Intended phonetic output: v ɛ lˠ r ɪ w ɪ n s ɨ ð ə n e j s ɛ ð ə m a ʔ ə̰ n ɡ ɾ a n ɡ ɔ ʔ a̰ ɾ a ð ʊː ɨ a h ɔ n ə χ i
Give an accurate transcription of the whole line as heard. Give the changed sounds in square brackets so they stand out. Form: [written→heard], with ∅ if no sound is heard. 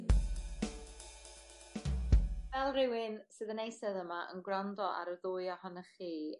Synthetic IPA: v ɛ lˠ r ɪ w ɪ n s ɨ ð ə n e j s ɛ ð ə m a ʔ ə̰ n ɡ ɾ a n [ɡ→d] ɔ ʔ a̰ ɾ [a→ə] ð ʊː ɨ a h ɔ n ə χ [i→iː]